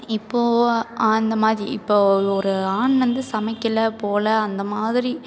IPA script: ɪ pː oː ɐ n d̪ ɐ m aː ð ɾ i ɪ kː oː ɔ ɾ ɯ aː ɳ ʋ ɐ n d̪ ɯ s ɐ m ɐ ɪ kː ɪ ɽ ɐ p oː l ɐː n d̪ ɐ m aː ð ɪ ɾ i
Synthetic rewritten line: ɪ pː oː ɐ n d̪ ɐ m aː ð ɾ i ɪ pː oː ɔ ɾ ɯ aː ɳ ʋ ɐ n d̪ ɯ s ɐ m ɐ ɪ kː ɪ l ɐ p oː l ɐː n d̪ ɐ m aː ð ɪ ɾ i